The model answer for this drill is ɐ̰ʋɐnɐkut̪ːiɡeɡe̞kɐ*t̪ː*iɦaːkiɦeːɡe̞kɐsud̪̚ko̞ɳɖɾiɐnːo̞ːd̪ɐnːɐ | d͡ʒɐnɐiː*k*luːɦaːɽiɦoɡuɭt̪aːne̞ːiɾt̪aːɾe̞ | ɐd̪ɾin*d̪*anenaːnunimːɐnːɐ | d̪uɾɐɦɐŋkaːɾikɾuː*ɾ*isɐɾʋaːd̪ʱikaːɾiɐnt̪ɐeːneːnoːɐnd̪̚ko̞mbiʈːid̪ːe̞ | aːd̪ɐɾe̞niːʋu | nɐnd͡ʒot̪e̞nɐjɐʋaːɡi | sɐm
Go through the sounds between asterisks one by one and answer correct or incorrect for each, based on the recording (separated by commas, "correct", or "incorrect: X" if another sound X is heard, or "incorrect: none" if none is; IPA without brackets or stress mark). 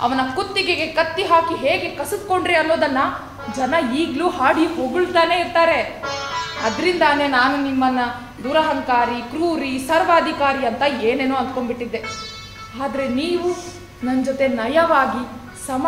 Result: correct, incorrect: ɡ, correct, correct